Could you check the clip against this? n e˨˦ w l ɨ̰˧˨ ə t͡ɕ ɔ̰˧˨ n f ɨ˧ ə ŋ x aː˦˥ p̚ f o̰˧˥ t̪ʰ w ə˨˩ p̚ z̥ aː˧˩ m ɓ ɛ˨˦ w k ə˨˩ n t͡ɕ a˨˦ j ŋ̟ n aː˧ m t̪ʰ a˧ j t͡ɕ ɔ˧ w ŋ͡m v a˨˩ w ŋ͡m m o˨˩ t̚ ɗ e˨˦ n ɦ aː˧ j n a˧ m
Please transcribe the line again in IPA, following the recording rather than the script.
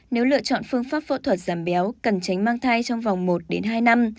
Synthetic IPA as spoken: n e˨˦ w l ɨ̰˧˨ ə t͡ɕ ɔ̰˧˨ n f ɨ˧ ə ŋ f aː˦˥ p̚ f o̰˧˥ t̪ʰ w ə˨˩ t̚ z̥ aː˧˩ m ɓ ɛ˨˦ w k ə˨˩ n t͡ɕ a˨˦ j ŋ̟ m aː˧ ŋ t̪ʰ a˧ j t͡ɕ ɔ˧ w ŋ͡m v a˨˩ w ŋ͡m m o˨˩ t̚ ɗ e˨˦ n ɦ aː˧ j n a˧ m

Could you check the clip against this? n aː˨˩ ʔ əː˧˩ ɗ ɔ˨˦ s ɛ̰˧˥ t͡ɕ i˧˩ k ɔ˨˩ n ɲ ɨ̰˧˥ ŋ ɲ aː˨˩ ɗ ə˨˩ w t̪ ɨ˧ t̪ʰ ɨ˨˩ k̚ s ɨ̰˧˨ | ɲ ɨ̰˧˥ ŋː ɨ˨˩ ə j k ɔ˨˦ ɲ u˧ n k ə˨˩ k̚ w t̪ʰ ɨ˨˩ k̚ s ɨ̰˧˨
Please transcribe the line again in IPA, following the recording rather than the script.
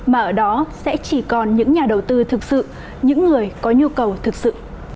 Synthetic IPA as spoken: m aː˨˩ ʔ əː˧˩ ɗ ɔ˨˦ s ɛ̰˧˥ t͡ɕ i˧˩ k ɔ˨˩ n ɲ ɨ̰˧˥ ŋ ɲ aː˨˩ ɗ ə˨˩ w t̪ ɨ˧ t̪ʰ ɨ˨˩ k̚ s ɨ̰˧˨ | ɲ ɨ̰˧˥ ŋː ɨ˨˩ ə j k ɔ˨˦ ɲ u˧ k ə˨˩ w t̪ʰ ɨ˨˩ k̚ s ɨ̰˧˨

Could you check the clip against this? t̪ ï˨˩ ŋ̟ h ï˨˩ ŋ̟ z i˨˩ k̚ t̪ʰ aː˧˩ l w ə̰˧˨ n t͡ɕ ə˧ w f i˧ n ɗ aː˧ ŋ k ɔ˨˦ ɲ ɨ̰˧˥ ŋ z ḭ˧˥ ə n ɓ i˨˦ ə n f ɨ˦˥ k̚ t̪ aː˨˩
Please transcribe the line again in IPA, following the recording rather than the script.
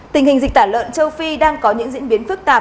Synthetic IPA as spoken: t̪ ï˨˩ ŋ̟ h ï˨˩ ŋ̟ z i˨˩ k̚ t̪ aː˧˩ l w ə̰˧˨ n t͡ɕ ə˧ w f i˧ ɗ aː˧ ŋ k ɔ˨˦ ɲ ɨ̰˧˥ ŋ z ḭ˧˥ ə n ɓ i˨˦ ə n f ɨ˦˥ k̚ t̪ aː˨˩

